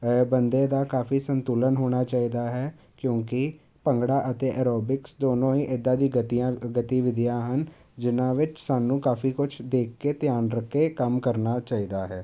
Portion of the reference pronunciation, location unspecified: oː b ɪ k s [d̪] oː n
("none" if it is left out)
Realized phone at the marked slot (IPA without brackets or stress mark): d̪